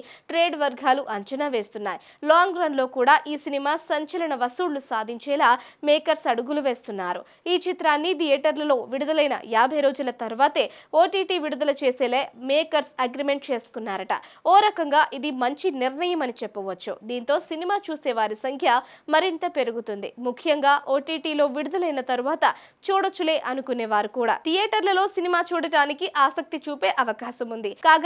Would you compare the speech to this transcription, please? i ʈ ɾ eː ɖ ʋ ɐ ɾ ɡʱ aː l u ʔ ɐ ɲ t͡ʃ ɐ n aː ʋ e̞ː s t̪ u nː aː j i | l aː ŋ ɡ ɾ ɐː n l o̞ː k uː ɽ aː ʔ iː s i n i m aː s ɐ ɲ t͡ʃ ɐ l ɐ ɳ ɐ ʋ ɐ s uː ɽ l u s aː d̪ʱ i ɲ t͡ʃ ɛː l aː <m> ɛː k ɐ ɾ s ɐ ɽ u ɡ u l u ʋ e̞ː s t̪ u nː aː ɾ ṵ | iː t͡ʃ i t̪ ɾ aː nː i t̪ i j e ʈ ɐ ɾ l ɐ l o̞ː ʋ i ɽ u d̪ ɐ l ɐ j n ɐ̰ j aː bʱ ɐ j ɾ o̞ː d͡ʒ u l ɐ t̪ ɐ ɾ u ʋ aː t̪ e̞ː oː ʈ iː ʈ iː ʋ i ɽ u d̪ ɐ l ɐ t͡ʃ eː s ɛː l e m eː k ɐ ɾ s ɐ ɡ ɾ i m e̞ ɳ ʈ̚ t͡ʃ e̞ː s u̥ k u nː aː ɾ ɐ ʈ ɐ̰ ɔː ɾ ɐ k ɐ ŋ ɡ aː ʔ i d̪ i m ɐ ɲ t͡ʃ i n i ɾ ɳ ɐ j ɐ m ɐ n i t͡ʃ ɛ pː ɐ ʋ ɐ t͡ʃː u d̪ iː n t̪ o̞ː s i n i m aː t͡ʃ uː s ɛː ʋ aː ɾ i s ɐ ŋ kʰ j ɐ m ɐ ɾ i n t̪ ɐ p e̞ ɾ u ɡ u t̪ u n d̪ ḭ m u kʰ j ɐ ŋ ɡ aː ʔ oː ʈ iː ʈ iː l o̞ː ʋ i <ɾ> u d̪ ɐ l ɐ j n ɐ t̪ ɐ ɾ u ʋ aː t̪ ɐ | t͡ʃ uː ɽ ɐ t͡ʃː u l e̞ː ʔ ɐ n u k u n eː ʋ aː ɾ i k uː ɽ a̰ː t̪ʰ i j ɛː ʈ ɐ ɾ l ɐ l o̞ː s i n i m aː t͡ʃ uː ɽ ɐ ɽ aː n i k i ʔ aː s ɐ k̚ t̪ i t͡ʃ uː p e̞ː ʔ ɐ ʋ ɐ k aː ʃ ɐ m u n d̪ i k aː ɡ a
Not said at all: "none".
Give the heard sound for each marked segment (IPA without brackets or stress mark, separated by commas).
m, ɽ